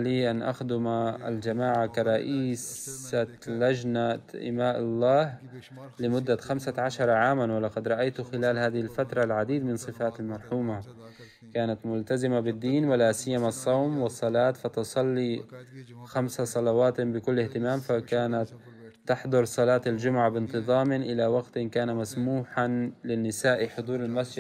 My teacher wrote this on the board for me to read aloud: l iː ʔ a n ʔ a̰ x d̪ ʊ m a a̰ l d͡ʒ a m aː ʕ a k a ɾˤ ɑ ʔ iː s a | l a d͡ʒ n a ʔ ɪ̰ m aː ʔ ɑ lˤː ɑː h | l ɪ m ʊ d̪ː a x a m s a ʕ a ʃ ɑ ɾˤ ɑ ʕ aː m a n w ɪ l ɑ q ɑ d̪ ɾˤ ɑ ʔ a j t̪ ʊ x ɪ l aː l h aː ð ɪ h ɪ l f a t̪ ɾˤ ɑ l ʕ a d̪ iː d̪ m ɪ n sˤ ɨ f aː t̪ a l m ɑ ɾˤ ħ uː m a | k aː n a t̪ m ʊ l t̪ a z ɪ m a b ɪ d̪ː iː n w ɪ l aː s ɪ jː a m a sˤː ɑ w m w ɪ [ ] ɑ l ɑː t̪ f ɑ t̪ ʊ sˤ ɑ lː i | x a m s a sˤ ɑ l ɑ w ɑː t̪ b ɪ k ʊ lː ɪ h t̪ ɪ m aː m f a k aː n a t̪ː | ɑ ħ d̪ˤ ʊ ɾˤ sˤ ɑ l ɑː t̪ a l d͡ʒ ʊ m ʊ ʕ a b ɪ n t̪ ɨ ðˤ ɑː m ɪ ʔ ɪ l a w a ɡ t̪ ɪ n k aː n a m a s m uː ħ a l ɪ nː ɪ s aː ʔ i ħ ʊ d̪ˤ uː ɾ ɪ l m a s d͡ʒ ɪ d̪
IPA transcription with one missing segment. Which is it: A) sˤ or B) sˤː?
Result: B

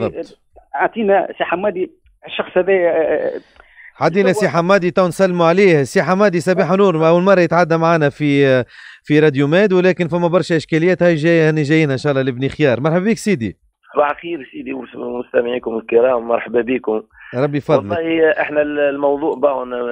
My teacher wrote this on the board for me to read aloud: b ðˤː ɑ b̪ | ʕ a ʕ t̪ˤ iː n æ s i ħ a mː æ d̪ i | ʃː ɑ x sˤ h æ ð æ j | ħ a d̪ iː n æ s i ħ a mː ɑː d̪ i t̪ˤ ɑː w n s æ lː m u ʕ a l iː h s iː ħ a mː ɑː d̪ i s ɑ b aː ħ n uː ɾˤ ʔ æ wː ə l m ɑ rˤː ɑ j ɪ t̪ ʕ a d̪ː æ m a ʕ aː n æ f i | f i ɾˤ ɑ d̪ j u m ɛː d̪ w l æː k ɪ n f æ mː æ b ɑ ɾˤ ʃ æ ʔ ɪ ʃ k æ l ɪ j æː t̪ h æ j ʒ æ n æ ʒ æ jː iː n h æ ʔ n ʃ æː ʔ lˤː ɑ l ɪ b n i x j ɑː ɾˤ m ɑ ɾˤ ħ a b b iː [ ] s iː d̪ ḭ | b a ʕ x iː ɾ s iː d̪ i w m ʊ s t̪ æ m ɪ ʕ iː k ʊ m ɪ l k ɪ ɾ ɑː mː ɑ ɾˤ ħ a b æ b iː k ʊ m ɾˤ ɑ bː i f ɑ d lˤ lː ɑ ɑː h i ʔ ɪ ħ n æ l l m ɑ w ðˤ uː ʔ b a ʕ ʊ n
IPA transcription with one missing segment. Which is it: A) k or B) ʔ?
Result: A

